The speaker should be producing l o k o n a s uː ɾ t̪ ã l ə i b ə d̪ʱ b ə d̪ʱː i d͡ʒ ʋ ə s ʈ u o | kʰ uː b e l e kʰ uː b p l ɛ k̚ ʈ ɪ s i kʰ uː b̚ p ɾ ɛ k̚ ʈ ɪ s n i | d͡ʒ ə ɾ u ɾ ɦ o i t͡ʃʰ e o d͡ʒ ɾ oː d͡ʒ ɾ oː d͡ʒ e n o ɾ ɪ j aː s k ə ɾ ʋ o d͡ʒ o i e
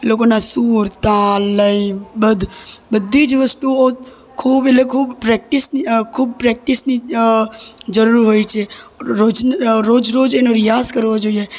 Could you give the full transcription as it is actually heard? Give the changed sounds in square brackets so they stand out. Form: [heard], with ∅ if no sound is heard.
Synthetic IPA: l o k o n a s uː ɾ t̪ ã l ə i b ə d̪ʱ b ə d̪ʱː i d͡ʒ ʋ ə s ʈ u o | kʰ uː b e l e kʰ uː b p [ɾ] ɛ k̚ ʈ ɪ s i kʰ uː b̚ p ɾ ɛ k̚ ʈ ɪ s n i | d͡ʒ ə ɾ u ɾ ɦ o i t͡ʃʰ e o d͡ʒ ɾ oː d͡ʒ ɾ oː d͡ʒ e n o ɾ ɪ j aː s k ə ɾ ʋ o d͡ʒ o i e